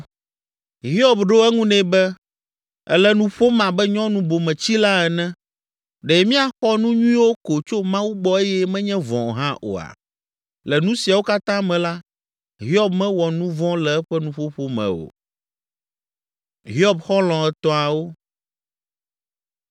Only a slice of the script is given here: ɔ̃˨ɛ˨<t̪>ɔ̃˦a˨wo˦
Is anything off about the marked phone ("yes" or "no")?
no